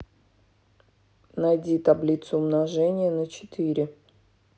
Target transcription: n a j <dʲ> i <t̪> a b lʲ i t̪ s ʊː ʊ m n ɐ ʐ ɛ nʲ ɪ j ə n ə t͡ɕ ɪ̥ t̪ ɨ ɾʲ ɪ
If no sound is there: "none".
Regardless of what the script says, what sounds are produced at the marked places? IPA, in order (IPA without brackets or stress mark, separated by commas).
dʲ, t̪